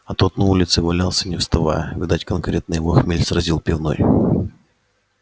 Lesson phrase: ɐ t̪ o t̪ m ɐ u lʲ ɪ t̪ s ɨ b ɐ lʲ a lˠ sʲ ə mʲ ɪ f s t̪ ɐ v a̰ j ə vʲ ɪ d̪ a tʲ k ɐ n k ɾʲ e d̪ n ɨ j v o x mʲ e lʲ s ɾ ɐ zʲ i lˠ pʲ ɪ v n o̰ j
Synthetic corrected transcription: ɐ t̪ o t̪ n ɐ u lʲ ɪ t̪ s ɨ v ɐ lʲ a lˠ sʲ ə nʲ ɪ f s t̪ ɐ v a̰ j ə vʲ ɪ d̪ a tʲ k ɐ n k ɾʲ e t̪ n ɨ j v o x mʲ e lʲ s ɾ ɐ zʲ i lˠ pʲ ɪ v n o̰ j